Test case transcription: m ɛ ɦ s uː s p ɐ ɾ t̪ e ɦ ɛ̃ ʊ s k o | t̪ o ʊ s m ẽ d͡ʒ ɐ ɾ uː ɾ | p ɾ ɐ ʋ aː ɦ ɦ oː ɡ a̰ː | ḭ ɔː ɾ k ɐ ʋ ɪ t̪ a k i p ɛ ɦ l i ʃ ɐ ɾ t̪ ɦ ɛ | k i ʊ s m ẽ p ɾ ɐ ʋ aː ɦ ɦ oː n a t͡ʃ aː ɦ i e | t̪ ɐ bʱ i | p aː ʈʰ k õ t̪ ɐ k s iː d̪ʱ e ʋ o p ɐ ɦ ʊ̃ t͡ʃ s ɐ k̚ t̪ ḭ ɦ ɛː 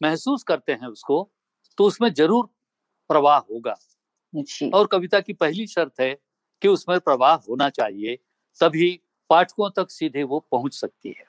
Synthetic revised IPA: m ɛ ɦ s uː s k ɐ ɾ t̪ e ɦ ɛ̃ ʊ s k o | t̪ o ʊ s m ẽ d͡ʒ ɐ ɾ uː ɾ | p ɾ ɐ ʋ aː ɦ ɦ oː ɡ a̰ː | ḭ ɔː ɾ k ɐ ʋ ɪ t̪ a k i p ɛ ɦ l i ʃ ɐ ɾ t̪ ɦ ɛ | k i ʊ s m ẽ p ɾ ɐ ʋ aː ɦ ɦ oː n a t͡ʃ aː ɦ i e | t̪ ɐ bʱ i | p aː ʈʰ k õ t̪ ɐ k s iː d̪ʱ e ʋ o p ɐ ɦ ʊ̃ t͡ʃ s ɐ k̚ t̪ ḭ ɦ ɛː